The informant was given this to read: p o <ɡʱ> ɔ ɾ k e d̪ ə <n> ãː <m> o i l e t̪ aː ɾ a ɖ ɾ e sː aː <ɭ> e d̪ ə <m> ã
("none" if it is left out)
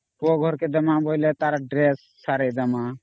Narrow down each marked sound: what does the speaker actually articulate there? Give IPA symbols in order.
ɡʱ, m, b, ɾ, m

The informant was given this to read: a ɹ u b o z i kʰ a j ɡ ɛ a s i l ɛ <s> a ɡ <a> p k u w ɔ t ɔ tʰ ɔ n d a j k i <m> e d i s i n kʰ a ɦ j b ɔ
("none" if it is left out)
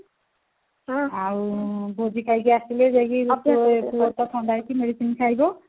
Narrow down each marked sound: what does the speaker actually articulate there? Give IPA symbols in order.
z, i, m

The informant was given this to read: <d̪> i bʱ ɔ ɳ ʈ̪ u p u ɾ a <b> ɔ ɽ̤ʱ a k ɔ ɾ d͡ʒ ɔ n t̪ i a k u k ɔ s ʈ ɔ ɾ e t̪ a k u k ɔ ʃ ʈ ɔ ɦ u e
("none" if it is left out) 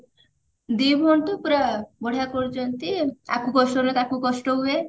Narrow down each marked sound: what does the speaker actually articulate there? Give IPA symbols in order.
d̪, b

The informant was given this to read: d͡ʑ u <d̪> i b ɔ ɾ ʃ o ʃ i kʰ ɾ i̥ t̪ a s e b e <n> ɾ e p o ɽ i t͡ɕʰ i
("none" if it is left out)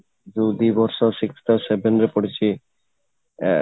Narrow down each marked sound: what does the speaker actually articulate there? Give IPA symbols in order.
d̪, n

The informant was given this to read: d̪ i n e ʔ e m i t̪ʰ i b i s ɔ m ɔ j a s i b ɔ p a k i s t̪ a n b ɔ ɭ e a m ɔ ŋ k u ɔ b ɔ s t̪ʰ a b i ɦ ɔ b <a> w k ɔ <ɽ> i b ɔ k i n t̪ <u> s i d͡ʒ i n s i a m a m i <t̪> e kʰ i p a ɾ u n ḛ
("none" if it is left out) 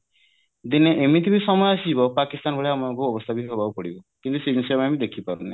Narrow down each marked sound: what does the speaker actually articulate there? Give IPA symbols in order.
a, ɽ, u, d̪

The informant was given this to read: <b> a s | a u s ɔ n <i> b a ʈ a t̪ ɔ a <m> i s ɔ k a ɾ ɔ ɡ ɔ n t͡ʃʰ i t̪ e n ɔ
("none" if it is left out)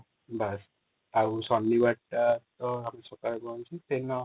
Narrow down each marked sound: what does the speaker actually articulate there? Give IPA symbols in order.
b, i, m

